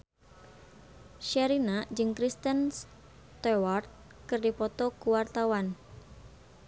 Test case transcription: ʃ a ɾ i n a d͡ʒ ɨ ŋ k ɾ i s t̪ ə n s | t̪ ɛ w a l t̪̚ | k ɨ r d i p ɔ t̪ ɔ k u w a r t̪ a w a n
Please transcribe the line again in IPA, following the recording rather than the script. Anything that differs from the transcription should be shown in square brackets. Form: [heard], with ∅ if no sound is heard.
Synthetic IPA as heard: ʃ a ɾ i n a d͡ʒ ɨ ŋ k ɾ i s t̪ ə n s | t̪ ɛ w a [r] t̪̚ | k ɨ r d i p ɔ t̪ ɔ k u w a r t̪ a w a n